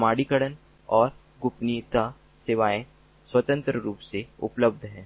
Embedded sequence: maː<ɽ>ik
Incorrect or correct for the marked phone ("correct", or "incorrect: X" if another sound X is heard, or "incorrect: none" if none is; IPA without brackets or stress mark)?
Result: correct